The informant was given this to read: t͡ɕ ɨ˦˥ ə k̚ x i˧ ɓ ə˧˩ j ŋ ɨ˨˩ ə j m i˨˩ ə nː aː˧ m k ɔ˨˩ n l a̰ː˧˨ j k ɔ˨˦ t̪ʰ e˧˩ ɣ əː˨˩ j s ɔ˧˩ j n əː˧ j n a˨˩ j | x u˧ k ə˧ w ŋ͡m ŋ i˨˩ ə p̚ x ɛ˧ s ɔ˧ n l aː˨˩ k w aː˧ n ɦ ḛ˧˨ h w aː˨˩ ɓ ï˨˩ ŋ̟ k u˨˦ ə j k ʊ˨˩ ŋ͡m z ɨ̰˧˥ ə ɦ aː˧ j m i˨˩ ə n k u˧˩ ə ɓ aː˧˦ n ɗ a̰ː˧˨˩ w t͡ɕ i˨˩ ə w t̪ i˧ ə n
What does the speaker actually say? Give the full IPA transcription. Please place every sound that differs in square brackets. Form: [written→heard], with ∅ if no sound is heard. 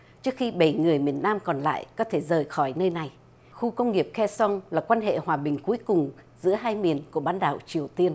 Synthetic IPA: t͡ɕ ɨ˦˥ ə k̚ x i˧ ɓ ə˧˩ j ŋ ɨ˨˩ ə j m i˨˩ ə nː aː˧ m k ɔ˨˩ n l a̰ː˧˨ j k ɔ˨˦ t̪ʰ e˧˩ [ɣ→z] əː˨˩ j [s→x] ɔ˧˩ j n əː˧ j n a˨˩ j | x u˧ k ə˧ w ŋ͡m ŋ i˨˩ ə p̚ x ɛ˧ s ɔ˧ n l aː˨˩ k w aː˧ n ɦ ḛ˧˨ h w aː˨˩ ɓ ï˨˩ ŋ̟ k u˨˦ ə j k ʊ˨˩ ŋ͡m z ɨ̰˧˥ ə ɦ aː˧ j m i˨˩ ə n k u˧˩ ə ɓ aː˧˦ n ɗ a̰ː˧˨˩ w t͡ɕ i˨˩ ə w t̪ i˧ ə n